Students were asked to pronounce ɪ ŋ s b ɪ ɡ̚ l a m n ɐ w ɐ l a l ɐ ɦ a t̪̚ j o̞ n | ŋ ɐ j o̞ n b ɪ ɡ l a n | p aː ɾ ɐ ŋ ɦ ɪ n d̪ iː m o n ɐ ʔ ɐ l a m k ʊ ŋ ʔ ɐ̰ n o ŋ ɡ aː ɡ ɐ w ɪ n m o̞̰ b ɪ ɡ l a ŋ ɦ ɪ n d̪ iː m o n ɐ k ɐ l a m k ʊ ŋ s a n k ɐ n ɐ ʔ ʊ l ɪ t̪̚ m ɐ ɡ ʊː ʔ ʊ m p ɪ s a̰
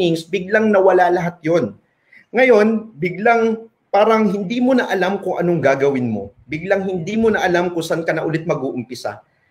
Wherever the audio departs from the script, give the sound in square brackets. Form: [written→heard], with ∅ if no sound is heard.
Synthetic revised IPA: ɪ ŋ s b ɪ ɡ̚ l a [m→ŋ] n ɐ w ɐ l a l ɐ ɦ a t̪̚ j o̞ n | ŋ ɐ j o̞ n b ɪ ɡ l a [n→ŋ] | p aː ɾ ɐ ŋ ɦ ɪ n d̪ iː m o n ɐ ʔ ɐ l a m k ʊ ŋ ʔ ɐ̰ n o ŋ ɡ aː ɡ ɐ w ɪ n m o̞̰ b ɪ ɡ l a ŋ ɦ ɪ n d̪ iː m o n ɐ [k→ʔ] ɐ l a m k ʊ ŋ s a n k ɐ n ɐ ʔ ʊ l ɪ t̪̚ m ɐ ɡ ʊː ʔ ʊ m p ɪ s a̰